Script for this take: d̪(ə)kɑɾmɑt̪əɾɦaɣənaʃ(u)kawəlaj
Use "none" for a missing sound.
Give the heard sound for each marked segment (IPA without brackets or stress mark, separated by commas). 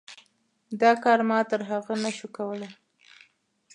ɑ, u